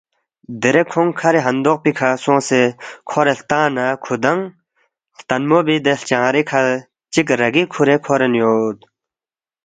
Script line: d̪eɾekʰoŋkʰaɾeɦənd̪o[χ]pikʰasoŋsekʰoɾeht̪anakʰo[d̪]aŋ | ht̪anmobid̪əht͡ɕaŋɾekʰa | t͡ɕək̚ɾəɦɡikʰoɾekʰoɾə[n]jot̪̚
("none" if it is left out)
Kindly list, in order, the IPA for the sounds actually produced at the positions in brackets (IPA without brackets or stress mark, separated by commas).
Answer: χ, d̪, n